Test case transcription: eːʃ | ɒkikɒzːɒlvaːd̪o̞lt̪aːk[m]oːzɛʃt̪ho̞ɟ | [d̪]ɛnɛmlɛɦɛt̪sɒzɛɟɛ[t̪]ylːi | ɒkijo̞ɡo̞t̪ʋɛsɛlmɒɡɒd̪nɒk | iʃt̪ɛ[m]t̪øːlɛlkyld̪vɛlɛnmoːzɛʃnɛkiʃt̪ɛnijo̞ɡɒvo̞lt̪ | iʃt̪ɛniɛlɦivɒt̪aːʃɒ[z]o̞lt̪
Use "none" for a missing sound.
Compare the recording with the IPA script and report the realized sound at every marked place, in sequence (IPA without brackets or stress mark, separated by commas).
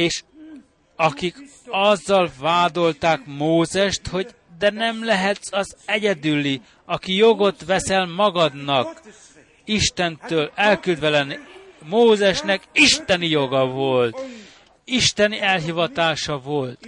m, d̪, d̪, n, v